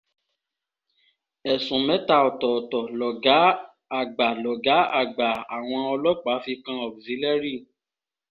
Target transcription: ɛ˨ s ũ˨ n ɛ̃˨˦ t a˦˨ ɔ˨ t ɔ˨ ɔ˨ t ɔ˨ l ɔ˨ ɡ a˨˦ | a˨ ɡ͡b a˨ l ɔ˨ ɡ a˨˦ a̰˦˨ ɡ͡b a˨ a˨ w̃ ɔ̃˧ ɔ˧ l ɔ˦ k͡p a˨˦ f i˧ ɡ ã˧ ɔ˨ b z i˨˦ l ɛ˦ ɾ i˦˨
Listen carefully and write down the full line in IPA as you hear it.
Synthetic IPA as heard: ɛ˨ s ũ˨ m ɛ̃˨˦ t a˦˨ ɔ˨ t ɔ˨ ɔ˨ t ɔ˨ l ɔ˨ ɡ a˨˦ | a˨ ɡ͡b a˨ l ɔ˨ ɡ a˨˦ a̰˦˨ ɡ͡b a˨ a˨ w̃ ɔ̃˧ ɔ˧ l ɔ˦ k͡p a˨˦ f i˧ k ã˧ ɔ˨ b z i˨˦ l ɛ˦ ɾ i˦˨